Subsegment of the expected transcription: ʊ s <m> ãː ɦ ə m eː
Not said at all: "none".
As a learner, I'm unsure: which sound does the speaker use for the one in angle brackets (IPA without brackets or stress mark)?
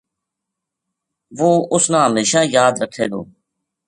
n